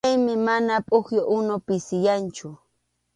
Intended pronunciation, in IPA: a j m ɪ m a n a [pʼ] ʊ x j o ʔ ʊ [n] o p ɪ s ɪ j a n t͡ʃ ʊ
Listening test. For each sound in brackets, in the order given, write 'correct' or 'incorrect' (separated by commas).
correct, correct